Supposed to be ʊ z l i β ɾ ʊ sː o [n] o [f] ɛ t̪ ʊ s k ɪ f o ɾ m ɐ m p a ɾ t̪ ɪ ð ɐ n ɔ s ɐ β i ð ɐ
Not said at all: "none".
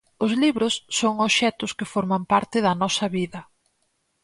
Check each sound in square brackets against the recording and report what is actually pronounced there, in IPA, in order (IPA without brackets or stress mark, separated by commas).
ŋ, ʃ